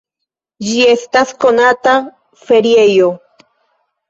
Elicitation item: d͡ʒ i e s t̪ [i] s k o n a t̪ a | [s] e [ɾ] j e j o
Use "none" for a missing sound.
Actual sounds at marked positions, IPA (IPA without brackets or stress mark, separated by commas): a, f, ɾ